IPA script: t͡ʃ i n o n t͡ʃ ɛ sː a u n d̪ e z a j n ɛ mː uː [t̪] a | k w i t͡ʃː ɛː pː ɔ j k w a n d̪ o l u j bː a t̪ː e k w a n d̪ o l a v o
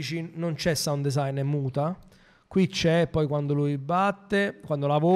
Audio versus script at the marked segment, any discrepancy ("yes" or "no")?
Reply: no